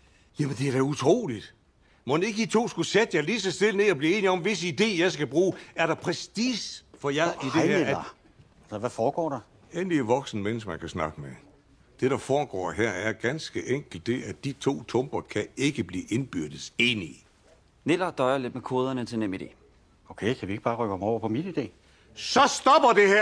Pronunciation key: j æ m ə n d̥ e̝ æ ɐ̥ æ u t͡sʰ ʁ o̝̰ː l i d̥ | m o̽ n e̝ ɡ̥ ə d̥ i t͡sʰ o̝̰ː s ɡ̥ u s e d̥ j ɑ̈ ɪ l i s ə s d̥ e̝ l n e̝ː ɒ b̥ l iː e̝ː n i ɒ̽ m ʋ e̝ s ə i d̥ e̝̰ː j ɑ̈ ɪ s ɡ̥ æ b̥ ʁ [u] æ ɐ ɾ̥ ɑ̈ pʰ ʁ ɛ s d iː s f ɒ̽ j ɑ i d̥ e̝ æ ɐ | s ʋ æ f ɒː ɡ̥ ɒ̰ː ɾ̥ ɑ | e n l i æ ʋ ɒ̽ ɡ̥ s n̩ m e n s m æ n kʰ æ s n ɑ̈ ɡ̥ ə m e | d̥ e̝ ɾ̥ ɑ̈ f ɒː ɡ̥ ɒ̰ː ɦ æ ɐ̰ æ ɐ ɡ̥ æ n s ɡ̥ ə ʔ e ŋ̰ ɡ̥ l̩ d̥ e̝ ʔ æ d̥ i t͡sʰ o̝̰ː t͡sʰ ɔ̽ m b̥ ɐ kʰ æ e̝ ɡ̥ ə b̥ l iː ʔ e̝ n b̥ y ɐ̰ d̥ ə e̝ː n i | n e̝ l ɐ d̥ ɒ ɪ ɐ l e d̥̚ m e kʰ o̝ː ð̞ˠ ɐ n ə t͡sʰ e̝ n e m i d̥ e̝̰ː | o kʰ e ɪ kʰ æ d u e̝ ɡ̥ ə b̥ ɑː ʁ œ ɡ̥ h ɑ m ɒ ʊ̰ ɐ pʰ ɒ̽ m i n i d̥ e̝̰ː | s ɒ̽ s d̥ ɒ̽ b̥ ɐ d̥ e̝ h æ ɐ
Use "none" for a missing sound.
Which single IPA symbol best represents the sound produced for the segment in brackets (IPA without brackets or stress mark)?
uː